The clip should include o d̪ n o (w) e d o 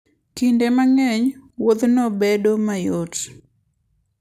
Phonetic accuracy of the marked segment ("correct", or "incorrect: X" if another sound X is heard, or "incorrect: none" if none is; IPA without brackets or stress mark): incorrect: b